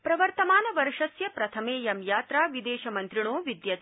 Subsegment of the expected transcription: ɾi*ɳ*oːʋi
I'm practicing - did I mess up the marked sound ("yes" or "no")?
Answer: no